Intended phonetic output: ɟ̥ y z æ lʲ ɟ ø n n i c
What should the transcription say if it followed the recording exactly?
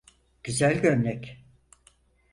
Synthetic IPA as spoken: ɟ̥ y z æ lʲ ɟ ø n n ɛ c